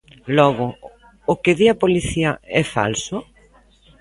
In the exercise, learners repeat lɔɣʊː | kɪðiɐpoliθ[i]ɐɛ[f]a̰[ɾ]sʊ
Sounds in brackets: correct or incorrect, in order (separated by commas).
correct, correct, incorrect